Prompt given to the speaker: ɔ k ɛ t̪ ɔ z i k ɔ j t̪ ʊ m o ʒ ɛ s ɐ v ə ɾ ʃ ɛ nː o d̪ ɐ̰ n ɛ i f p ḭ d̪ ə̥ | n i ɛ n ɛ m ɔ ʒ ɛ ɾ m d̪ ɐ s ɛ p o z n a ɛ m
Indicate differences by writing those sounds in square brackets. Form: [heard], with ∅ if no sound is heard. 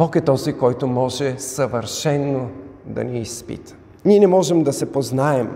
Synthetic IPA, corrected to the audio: ɔ k ɛ t̪ ɔ z i k ɔ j t̪ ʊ m [ɔ] ʒ ɛ s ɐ v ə ɾ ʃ ɛ nː o d̪ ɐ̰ n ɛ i [s] p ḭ [t̪] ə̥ | n i ɛ n ɛ m ɔ ʒ ɛ [∅] m d̪ ɐ s ɛ p o z n a ɛ m